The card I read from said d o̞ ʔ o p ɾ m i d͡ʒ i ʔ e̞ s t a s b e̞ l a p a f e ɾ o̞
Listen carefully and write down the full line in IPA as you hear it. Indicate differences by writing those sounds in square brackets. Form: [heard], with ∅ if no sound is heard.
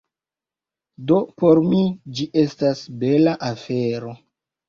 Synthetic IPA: d o̞ [p] o [∅] ɾ m i d͡ʒ i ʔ e̞ s t a s b e̞ l a [ʔ] a f e ɾ o̞